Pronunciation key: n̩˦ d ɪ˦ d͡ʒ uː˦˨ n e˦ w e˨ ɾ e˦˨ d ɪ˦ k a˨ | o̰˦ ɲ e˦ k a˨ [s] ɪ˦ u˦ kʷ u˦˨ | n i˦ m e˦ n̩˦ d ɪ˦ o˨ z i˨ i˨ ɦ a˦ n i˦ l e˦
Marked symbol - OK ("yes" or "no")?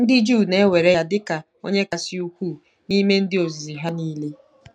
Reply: yes